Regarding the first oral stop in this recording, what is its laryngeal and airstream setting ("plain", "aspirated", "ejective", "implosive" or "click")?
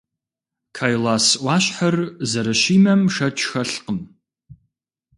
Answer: aspirated